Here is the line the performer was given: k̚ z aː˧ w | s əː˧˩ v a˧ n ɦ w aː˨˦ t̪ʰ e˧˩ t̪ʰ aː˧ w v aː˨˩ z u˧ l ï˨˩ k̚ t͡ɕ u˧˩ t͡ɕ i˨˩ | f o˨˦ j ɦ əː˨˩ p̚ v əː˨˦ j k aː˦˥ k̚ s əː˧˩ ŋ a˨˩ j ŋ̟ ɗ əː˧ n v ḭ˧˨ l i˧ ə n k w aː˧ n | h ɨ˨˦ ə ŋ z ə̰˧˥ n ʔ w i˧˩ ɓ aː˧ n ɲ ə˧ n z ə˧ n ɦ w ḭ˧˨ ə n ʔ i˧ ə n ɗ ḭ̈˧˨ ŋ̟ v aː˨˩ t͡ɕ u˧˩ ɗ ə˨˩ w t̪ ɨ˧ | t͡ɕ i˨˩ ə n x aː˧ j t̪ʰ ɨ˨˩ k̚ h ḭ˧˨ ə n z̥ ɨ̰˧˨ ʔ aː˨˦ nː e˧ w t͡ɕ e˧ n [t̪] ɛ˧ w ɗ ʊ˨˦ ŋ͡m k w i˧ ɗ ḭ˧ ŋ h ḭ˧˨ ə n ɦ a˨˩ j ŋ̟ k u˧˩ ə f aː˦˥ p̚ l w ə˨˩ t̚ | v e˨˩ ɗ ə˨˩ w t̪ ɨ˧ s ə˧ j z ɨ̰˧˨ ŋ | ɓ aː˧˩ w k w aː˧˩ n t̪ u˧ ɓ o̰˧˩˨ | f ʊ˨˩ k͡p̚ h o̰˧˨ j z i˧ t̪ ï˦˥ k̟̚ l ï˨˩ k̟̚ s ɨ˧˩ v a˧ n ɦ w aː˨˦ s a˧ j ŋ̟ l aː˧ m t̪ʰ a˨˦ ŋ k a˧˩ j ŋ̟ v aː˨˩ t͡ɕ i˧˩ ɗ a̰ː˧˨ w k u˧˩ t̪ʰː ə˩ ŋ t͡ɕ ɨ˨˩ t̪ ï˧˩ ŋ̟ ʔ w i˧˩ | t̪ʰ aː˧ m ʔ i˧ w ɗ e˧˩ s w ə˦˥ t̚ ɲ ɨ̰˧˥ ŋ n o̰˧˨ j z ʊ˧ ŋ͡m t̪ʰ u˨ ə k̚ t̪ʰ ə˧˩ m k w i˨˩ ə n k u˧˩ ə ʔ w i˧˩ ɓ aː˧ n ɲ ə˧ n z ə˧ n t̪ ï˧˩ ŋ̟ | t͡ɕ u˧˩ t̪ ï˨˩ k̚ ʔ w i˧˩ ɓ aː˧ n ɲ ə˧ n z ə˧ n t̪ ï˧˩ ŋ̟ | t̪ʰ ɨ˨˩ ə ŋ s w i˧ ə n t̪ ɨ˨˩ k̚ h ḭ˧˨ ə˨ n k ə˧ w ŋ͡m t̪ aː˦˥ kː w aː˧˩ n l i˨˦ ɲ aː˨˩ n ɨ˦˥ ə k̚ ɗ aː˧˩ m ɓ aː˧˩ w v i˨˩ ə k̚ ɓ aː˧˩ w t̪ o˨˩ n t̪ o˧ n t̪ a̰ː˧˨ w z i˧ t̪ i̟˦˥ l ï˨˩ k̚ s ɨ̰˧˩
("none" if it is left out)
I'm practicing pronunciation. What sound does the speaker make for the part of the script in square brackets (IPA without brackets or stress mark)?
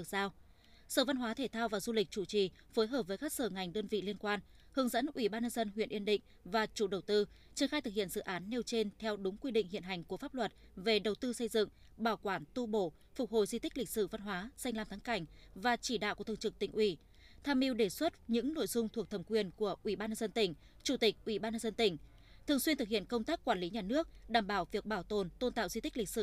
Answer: t̪ʰ